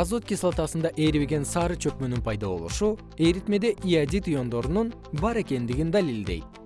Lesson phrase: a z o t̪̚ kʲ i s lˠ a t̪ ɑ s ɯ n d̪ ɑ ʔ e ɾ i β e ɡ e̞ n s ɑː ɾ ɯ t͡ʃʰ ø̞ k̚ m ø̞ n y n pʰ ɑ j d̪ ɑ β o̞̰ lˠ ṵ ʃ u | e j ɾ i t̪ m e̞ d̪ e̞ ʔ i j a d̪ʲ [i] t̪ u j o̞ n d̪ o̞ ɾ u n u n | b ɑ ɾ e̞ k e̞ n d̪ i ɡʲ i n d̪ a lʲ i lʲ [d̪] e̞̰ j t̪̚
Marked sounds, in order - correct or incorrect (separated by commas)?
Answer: correct, correct